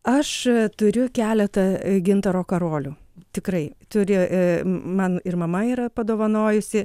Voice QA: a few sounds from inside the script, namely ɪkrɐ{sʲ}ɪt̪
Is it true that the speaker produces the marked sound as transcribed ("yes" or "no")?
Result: no